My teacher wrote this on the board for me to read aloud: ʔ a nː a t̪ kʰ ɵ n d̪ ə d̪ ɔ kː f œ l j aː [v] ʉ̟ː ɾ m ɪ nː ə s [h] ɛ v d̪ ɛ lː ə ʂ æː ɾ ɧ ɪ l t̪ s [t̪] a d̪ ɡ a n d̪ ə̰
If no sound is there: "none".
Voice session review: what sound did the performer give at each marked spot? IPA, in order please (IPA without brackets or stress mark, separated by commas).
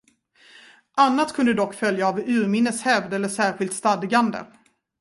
v, h, t̪